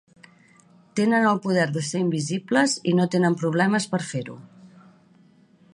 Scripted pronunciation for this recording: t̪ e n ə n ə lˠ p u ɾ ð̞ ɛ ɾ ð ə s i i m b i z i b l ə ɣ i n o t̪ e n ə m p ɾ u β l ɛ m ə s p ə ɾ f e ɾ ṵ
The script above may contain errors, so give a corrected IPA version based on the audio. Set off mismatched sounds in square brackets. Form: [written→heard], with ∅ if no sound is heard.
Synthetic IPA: t̪ e n ə n ə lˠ p u [ɾ→∅] ð̞ ɛ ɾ ð ə s [i→e] i m b i z i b l ə [ɣ→z] i n o t̪ e n ə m p ɾ u β l ɛ m ə s p ə ɾ f e ɾ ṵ